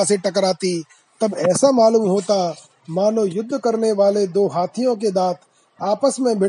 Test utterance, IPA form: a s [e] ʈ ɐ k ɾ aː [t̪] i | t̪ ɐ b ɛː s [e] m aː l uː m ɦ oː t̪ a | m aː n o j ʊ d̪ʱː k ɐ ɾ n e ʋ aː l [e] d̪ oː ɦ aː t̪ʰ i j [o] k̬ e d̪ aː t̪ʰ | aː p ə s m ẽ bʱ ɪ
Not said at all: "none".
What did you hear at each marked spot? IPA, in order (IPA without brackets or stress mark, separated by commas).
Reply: e, t̪, a, e, õ